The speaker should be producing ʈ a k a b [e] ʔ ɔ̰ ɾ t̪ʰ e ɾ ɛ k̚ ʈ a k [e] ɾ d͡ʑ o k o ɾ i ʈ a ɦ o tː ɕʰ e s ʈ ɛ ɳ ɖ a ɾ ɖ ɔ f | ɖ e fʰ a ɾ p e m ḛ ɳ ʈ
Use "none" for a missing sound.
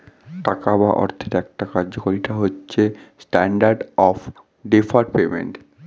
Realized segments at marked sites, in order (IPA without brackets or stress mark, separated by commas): a, a